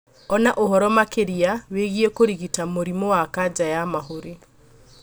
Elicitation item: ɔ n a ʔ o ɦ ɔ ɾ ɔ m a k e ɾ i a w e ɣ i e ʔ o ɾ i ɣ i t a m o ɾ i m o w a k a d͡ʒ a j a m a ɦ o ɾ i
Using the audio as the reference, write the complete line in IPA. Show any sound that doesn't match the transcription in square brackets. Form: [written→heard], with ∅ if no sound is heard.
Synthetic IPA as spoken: ɔ n a ʔ o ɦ ɔ ɾ ɔ m a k e ɾ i a w e ɣ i e [ʔ→k] o ɾ i ɣ i t a m o ɾ i m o w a k a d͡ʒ a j a m a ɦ o ɾ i